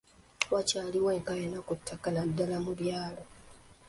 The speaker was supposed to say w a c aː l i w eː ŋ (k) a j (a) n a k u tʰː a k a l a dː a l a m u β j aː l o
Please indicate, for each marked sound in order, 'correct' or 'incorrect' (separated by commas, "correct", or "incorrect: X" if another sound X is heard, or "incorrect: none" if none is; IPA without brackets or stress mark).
correct, incorrect: e